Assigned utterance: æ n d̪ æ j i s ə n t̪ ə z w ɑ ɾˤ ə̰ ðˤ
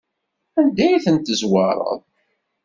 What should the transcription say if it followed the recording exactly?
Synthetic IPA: æ n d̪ æ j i θ ə n t̪ ə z w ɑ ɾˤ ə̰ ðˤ